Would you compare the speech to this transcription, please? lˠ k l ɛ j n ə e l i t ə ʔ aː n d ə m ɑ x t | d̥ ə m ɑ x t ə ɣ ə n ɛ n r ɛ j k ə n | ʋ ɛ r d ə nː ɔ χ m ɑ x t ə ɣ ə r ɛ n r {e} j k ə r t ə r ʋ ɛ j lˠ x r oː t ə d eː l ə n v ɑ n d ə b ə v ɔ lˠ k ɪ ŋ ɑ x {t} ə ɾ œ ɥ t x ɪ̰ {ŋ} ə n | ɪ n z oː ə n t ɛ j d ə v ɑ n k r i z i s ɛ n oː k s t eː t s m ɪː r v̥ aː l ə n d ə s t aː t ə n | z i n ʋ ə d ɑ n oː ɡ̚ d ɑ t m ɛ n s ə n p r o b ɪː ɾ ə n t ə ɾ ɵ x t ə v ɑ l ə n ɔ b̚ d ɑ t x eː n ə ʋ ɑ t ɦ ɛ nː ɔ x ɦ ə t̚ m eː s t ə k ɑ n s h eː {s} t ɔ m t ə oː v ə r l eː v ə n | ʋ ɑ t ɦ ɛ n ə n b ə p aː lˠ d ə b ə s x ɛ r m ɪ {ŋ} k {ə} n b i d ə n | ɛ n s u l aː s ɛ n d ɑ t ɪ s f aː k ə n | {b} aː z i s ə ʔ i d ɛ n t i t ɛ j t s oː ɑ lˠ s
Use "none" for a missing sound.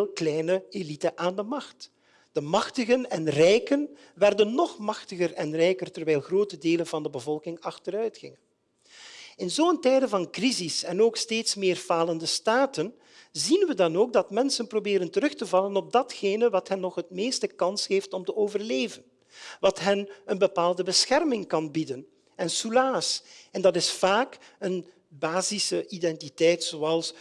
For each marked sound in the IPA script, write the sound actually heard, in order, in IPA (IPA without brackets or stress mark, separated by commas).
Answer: ɛ, t, ŋ, f, ŋ, ɑ, b